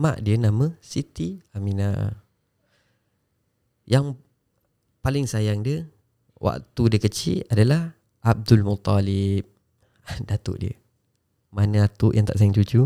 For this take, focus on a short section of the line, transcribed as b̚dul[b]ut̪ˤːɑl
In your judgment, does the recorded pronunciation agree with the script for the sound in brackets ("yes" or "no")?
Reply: no